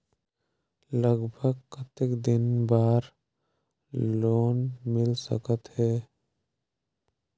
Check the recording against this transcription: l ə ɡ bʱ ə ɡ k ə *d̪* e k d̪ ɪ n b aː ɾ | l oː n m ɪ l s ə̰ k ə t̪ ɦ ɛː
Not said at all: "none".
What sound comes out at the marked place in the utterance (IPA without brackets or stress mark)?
t̪